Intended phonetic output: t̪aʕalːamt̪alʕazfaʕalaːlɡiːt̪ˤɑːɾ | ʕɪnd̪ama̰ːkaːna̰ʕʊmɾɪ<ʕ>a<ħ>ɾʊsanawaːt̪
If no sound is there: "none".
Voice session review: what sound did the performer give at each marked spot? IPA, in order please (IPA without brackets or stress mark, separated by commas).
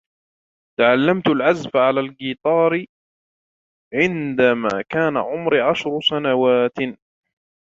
ʕ, ʃ